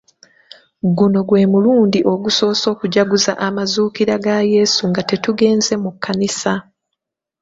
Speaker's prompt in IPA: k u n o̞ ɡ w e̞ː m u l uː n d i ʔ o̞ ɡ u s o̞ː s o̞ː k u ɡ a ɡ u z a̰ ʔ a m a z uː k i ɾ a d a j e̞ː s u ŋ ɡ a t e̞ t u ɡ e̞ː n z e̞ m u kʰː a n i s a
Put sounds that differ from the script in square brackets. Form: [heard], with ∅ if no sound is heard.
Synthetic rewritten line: [ɡ] u n o̞ ɡ w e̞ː m u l uː n d i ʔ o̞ ɡ u s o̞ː s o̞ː k u [ɟ] a ɡ u z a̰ ʔ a m a z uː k i ɾ a [ɡ] a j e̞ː s u ŋ ɡ a t e̞ t u ɡ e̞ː n z e̞ m u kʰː a n i s a